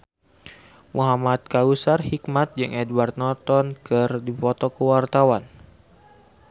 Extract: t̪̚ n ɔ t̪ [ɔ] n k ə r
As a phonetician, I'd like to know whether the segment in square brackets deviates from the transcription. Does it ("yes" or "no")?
no